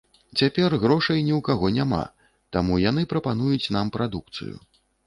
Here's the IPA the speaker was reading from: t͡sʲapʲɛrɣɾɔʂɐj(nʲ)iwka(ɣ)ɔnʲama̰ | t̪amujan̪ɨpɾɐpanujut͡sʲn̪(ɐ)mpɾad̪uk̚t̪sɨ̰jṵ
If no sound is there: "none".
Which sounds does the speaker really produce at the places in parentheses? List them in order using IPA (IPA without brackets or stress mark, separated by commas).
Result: nʲ, ɣ, a